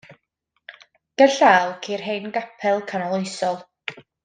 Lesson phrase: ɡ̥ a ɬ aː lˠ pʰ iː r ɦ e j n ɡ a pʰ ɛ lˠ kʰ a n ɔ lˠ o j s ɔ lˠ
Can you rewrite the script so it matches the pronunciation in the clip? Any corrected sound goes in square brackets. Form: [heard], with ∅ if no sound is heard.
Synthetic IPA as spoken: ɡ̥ [ə] ɬ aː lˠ [kʰ] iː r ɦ e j n ɡ a pʰ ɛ lˠ kʰ a n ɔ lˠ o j s ɔ lˠ